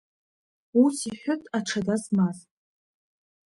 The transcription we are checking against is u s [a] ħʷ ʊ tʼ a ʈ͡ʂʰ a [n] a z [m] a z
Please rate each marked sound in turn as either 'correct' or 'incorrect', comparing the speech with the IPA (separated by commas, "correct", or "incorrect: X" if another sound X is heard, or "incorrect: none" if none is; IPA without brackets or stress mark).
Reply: incorrect: i, incorrect: d, correct